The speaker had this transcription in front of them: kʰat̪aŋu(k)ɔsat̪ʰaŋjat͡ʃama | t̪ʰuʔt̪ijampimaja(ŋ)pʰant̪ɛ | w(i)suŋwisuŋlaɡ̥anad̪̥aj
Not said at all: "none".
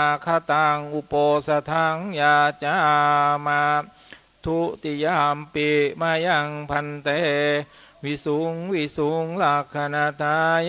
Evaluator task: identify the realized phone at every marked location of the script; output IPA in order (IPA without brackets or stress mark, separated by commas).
p, ŋ, i